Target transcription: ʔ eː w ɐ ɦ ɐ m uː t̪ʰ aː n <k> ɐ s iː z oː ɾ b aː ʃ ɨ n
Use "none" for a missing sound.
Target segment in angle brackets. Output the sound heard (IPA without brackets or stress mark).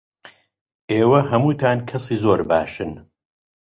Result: kʰ